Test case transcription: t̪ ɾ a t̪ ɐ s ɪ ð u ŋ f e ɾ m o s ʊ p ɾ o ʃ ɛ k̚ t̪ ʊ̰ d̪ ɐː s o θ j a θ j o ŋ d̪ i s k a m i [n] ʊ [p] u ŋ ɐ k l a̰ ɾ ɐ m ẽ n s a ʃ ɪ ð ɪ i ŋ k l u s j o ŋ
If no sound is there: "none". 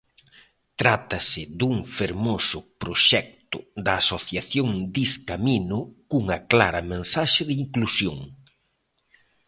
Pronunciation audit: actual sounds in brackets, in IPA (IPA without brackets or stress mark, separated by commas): n, k